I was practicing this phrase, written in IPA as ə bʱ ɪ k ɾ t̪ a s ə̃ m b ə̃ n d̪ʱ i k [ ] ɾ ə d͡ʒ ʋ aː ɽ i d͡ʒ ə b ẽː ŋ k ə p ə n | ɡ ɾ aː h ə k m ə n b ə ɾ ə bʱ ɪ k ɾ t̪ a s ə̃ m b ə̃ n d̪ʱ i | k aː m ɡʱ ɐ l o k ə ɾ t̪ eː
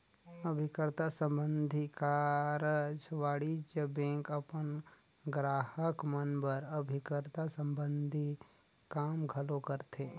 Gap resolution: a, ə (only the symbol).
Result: a